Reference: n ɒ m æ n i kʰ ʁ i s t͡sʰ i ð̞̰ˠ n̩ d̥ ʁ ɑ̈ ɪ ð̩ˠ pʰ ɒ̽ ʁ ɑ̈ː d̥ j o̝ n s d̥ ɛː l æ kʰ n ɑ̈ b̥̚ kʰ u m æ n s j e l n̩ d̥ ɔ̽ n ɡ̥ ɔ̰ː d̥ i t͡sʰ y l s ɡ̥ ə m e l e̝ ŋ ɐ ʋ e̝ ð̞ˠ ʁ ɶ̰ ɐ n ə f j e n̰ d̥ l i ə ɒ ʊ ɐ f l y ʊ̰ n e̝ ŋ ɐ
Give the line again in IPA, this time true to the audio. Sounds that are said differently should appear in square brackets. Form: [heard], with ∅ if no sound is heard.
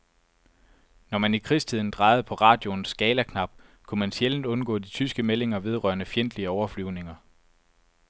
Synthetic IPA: n ɒ m æ n i kʰ ʁ i s t͡sʰ i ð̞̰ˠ n̩ d̥ ʁ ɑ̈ ɪ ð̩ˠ pʰ ɒ̽ ʁ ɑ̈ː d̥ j o̝ n s [ɡ̥] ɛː l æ kʰ n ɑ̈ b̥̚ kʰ u m æ n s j e l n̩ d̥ ɔ̽ n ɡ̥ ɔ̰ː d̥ i t͡sʰ y [∅] s ɡ̥ ə m e l e̝ ŋ ɐ ʋ e̝ ð̞ˠ ʁ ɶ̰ ɐ n ə f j e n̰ d̥ l i ə ɒ ʊ ɐ f l y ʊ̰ n e̝ ŋ ɐ